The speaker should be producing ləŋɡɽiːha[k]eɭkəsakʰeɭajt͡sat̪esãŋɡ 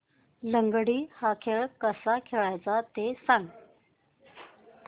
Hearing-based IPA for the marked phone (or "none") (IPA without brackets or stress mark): kʰ